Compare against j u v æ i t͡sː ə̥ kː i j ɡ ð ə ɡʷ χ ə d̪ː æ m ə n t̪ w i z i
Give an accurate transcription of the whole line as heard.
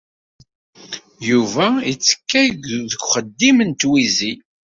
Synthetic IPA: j u v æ i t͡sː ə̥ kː æ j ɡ ð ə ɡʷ χ ə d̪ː i m ə n t̪ w i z i